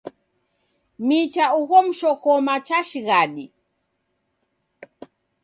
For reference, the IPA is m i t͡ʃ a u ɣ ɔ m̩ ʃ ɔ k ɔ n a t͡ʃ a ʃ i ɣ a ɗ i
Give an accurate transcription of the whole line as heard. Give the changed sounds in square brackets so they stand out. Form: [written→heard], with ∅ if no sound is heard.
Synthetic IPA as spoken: m i t͡ʃ a u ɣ ɔ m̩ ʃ ɔ k ɔ [n→m] a t͡ʃ a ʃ i ɣ a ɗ i